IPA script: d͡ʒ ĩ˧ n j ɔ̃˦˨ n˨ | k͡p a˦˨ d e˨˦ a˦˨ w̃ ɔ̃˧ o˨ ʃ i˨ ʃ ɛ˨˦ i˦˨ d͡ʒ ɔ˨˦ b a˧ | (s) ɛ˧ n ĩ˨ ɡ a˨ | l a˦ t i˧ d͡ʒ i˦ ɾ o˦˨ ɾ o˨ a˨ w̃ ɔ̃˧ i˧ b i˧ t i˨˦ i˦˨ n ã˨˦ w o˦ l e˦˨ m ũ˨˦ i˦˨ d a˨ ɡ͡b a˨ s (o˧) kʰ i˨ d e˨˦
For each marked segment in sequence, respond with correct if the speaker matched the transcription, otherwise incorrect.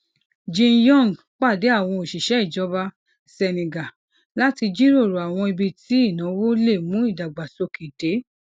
correct, correct

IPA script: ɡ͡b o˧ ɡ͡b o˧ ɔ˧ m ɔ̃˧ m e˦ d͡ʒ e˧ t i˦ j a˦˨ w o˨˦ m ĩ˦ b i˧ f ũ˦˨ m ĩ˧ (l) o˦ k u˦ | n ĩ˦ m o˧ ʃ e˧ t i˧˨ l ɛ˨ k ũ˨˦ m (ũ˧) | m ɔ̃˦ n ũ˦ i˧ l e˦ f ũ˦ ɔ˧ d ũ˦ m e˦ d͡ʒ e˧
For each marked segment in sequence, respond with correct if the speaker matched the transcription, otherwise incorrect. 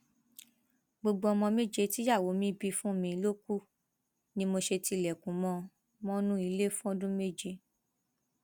correct, incorrect: ɔ̃˧

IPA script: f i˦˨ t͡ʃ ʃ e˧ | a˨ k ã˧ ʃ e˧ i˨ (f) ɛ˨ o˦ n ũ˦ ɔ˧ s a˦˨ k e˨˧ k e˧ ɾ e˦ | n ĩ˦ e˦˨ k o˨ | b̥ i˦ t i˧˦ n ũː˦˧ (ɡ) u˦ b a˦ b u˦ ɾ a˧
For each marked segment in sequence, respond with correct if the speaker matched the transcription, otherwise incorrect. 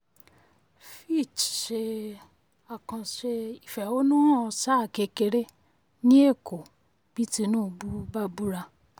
correct, incorrect: b

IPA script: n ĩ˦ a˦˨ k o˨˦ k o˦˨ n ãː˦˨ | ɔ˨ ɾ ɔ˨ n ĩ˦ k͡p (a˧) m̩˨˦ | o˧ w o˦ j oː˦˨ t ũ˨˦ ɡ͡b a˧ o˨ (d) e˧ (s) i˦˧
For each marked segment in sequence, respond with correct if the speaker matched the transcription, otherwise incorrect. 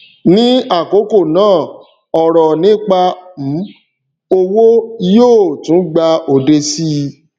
correct, correct, correct

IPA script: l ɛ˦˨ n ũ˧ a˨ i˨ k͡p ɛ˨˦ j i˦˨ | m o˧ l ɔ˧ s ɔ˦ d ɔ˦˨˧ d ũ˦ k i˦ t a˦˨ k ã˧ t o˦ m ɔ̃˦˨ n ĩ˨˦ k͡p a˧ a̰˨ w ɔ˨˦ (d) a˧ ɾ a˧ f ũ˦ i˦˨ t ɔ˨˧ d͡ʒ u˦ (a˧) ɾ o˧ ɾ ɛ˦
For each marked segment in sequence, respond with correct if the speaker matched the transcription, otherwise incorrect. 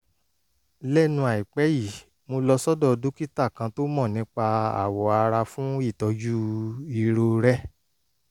incorrect: none, incorrect: i˧

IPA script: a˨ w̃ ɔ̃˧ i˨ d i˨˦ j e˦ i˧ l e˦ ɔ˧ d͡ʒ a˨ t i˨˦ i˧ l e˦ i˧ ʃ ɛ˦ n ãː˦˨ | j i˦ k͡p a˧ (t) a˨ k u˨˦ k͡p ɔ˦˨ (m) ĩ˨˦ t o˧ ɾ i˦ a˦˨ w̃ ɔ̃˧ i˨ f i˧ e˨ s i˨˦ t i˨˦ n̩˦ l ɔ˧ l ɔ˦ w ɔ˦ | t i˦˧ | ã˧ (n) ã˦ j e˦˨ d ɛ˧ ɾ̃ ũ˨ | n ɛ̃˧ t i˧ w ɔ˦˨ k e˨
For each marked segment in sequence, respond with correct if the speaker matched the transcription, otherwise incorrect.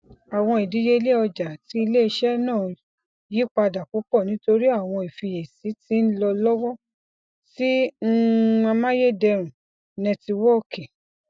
incorrect: d, incorrect: n, incorrect: m

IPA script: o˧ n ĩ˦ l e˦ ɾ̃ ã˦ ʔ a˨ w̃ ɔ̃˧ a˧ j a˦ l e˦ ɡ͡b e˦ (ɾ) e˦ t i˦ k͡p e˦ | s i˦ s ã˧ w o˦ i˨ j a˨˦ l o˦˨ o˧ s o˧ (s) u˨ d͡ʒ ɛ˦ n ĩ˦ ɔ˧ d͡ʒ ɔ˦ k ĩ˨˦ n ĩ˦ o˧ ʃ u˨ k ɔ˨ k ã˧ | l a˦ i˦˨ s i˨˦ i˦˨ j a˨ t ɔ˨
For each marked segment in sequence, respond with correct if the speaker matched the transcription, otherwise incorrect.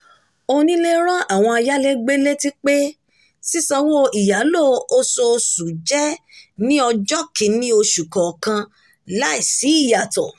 incorrect: l, correct

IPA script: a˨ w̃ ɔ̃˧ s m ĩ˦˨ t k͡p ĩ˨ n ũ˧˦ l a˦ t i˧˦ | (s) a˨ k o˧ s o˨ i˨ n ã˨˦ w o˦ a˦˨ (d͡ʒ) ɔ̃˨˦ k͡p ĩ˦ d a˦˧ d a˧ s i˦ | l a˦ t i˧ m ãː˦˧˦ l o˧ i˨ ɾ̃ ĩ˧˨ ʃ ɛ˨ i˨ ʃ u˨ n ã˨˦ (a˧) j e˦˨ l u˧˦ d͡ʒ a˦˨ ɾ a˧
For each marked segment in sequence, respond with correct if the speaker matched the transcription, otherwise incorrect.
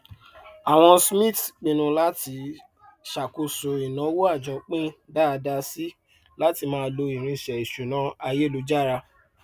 incorrect: ʃ, correct, correct

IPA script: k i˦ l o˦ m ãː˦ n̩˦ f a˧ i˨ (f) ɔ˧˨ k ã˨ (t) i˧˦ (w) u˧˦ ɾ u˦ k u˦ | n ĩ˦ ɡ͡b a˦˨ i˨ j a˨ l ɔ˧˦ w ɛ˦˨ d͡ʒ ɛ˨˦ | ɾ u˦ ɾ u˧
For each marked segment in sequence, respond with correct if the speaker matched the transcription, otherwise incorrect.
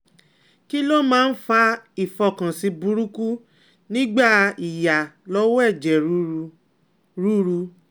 correct, incorrect: s, incorrect: b

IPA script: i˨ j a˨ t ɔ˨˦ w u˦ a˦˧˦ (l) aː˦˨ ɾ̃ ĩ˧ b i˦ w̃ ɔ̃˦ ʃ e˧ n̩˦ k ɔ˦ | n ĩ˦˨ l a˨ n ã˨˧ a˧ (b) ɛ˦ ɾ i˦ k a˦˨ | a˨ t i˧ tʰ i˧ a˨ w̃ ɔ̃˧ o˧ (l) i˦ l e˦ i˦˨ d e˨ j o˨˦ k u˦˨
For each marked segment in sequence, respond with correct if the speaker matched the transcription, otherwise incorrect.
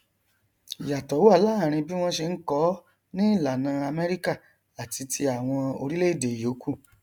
correct, incorrect: m, incorrect: ɾ

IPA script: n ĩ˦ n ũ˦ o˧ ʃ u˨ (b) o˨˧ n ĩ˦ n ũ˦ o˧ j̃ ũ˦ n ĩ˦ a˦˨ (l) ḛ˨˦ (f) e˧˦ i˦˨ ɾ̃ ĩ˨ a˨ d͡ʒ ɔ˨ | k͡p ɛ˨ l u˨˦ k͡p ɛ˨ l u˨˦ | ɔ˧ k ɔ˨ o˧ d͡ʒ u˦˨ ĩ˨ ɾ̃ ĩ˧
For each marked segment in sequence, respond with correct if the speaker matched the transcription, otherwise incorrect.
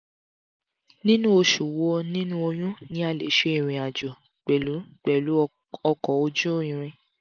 incorrect: w, correct, incorrect: ʃ

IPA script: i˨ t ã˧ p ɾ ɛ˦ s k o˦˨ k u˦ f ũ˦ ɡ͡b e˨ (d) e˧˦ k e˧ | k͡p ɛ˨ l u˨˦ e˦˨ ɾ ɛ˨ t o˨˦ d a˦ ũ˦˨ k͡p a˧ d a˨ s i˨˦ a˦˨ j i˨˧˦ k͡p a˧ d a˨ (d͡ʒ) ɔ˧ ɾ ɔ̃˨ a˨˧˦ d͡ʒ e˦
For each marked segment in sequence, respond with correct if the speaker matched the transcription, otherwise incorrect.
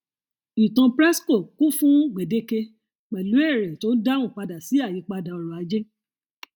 correct, incorrect: none

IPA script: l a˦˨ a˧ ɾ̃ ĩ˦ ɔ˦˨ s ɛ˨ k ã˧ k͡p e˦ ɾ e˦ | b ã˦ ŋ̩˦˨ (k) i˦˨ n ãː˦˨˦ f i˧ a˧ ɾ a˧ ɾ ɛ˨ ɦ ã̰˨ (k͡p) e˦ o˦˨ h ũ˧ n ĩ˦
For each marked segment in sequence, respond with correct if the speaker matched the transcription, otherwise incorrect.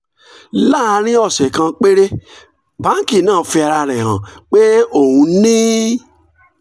correct, correct

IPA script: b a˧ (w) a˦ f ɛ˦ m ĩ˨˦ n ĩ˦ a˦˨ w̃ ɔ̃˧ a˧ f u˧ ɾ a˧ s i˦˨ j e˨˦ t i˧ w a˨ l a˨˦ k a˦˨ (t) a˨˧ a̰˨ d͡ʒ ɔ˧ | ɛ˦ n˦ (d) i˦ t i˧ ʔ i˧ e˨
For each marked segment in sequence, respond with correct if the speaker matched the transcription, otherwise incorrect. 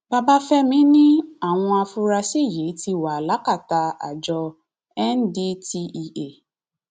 incorrect: b, correct, correct

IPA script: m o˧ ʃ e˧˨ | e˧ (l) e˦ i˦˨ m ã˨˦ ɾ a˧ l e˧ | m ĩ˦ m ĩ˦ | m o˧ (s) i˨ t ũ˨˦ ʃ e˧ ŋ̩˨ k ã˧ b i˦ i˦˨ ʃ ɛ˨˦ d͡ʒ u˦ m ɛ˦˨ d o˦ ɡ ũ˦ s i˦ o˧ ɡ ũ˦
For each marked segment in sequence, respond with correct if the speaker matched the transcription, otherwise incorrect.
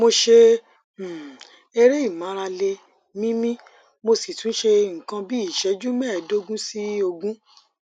incorrect: ɾ, correct

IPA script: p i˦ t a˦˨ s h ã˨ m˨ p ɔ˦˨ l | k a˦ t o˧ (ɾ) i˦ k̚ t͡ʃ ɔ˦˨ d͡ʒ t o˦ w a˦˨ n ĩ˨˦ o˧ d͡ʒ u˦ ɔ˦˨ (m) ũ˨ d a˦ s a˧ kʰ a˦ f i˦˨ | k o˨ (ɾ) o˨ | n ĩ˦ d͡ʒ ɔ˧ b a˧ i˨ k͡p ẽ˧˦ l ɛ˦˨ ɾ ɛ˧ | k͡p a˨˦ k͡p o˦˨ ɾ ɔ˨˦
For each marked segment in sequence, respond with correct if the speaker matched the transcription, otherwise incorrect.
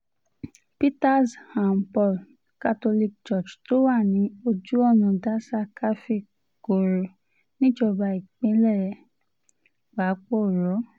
incorrect: l, incorrect: n, correct

